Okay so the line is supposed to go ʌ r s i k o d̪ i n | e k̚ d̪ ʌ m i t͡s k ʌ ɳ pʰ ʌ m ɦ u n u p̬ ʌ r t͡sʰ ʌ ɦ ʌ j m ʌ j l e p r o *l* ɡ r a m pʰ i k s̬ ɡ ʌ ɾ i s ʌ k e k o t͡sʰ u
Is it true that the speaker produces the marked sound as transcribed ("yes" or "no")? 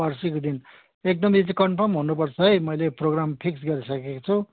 no